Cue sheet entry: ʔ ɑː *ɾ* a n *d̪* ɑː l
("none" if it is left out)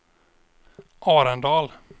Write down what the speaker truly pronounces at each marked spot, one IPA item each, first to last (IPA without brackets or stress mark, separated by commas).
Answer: ɾ, d̪